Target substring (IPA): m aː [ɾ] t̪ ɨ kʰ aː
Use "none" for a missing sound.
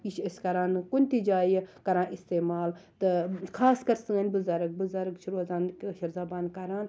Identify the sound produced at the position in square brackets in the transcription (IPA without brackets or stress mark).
l